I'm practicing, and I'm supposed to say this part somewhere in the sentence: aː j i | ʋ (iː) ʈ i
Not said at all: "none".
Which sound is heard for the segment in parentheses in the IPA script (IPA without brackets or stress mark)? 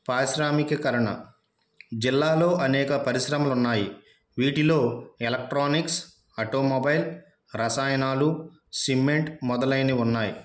iː